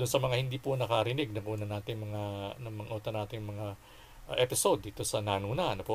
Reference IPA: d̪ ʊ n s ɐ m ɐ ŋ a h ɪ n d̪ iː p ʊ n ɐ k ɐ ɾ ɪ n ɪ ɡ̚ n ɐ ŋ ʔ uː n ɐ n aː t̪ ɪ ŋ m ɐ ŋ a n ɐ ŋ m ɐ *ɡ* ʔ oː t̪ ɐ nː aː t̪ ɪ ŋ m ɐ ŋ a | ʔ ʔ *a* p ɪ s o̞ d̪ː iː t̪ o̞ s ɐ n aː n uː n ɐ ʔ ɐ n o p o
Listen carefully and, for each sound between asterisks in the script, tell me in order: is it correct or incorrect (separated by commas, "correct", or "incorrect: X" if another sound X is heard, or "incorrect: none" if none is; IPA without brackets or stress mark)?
incorrect: ŋ, incorrect: ɛ